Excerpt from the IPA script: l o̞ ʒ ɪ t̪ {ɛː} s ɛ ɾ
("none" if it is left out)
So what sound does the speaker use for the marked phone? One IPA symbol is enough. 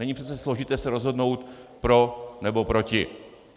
ɛː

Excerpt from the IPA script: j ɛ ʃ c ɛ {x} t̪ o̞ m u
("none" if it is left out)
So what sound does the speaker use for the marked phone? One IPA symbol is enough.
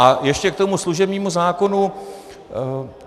k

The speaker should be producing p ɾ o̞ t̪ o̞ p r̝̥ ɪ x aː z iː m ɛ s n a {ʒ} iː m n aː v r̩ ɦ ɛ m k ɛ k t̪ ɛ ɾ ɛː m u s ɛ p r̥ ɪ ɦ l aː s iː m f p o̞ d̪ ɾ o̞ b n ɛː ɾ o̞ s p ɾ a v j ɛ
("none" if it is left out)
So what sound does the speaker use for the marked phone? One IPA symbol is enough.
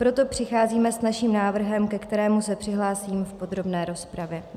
ʃ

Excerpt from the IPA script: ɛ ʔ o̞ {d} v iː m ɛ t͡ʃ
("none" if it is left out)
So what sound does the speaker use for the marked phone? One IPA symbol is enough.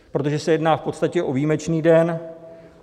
none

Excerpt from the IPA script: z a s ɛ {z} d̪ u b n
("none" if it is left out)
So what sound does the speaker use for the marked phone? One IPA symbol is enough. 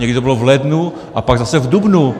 v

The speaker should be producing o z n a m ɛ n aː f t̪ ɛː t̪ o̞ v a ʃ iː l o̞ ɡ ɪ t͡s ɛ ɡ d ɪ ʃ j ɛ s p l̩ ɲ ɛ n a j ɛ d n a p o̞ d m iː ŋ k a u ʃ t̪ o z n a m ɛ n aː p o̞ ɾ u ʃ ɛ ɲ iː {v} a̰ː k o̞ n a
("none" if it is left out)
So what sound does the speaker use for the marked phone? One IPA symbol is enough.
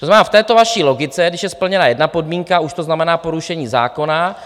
z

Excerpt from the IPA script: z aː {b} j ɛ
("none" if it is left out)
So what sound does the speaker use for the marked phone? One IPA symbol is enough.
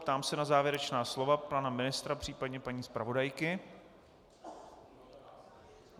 v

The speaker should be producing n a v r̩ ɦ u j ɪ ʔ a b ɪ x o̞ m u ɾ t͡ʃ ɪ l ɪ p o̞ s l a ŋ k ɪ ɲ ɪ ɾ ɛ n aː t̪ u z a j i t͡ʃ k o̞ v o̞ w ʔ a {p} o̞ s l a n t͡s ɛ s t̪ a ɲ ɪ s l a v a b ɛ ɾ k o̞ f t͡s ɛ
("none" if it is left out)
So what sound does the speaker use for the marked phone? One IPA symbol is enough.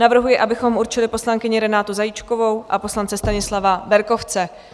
p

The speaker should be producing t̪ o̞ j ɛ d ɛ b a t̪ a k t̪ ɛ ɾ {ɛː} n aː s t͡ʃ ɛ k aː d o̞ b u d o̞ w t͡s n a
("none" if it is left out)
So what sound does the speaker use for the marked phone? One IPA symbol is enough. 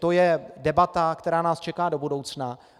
aː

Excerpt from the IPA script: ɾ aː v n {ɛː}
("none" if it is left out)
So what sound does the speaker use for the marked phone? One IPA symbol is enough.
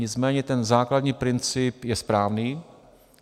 iː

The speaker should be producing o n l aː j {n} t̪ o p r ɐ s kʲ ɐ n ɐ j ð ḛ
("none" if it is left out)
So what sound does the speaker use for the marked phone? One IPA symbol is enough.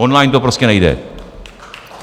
n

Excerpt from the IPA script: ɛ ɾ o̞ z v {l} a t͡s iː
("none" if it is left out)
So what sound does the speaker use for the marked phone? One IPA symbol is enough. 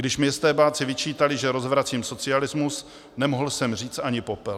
ɾ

